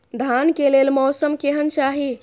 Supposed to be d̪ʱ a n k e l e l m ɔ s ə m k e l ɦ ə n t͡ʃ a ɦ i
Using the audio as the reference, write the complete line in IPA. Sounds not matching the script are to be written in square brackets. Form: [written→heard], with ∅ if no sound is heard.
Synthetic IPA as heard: d̪ʱ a n k e l e l m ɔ s ə m k e [l→∅] ɦ ə n t͡ʃ a ɦ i